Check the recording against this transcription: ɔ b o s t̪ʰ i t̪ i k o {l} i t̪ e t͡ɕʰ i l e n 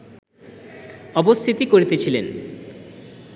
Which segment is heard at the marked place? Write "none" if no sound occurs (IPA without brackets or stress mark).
ɾ